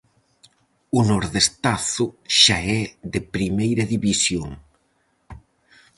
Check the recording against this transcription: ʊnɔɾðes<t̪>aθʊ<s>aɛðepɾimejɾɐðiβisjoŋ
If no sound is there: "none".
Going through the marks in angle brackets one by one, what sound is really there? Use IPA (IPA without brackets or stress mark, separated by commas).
t̪, ʃ